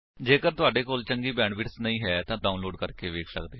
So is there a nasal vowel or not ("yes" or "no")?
yes